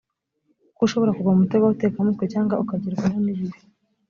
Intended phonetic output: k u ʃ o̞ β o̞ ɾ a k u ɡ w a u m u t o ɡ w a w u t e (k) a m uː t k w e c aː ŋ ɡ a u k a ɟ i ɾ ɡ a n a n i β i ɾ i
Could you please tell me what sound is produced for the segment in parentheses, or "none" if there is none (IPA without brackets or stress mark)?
k